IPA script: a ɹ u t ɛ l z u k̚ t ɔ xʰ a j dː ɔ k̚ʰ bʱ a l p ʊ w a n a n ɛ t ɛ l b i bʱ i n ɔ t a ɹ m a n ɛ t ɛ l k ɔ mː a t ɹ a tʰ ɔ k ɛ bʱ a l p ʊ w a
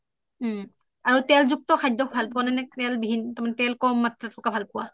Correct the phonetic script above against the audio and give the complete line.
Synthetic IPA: a ɹ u t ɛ l z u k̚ t ɔ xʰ a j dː ɔ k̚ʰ bʱ a l p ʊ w a n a n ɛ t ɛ l b i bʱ i n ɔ t a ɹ m a n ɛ t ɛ l k ɔ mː a t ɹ a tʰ ɔ k a bʱ a l p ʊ w a